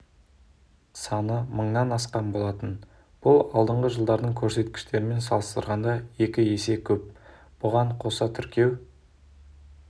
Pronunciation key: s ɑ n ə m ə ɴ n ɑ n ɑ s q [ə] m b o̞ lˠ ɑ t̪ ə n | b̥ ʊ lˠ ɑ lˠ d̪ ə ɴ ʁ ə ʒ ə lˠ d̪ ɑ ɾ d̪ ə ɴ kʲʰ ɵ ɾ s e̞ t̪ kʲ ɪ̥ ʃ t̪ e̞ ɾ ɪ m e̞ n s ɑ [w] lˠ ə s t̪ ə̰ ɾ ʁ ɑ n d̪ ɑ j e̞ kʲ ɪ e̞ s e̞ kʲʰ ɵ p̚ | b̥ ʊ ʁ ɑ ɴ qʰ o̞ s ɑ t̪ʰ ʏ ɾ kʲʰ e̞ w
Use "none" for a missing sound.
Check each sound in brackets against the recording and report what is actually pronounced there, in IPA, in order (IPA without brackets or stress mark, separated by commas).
ɑ, none